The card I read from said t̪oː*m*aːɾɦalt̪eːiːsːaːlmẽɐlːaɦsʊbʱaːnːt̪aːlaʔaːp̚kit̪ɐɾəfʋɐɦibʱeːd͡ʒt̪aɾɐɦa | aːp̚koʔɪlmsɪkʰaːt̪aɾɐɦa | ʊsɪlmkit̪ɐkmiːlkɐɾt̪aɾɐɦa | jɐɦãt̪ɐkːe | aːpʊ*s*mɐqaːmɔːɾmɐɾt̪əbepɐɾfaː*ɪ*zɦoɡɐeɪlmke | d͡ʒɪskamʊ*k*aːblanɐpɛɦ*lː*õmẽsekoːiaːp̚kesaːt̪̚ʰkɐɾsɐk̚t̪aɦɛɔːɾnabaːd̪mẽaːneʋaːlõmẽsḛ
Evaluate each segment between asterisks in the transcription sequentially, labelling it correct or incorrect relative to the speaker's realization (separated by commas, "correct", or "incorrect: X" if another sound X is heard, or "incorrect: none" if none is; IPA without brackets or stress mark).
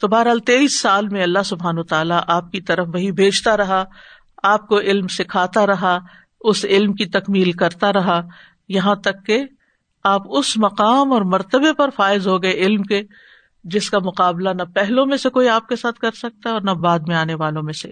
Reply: incorrect: b, correct, correct, incorrect: q, incorrect: l